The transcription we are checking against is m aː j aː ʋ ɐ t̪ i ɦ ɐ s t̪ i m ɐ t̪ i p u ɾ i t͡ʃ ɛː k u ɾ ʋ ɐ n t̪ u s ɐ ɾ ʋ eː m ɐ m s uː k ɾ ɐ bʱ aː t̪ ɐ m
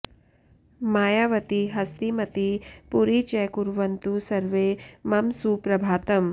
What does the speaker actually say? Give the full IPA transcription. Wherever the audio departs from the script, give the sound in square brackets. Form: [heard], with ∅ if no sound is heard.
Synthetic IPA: m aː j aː ʋ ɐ t̪ i ɦ ɐ s t̪ i m ɐ t̪ i p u ɾ i t͡ʃ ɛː k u ɾ ʋ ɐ n t̪ u s ɐ ɾ ʋ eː m ɐ m s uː [p] ɾ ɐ bʱ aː t̪ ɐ m